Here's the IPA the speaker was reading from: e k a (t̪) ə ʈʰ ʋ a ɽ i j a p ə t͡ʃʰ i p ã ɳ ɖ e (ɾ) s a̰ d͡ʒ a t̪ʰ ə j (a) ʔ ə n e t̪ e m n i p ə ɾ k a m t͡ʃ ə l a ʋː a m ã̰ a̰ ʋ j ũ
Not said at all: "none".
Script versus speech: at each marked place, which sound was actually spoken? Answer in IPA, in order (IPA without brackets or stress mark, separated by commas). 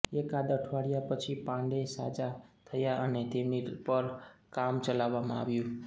d̪, none, a